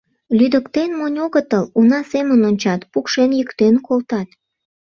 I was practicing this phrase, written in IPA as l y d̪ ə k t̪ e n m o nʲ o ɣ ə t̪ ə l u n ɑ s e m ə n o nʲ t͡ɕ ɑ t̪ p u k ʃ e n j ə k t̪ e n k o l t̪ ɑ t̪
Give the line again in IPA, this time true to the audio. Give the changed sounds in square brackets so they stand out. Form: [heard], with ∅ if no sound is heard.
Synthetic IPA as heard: l y d̪ ə k t̪ e n m o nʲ o ɣ ə t̪ ə l u n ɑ s e m ə n o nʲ t͡ɕ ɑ t̪ p u k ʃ e n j ə k t̪ e n k o l t̪ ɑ t̪